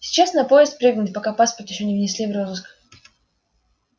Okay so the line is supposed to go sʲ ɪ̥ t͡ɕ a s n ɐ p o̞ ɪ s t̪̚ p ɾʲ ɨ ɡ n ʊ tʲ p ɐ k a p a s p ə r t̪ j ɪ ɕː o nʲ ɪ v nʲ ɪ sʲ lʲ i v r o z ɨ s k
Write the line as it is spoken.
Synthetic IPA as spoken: sʲ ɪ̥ t͡ɕ a s n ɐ p o̞ ɪ s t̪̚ p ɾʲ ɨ ɡ n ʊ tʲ p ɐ k a p a s p ə r t̪ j ɪ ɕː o nʲ ɪ v nʲ ɪ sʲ lʲ i v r o z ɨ s k